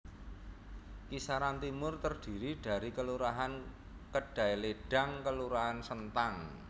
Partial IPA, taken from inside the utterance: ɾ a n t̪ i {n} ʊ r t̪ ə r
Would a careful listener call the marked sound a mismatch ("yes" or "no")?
yes